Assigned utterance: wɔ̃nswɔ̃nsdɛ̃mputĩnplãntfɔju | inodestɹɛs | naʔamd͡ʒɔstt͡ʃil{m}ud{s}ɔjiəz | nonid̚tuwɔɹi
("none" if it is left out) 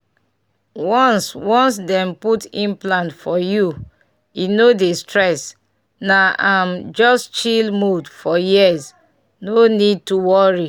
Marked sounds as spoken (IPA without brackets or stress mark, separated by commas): m, f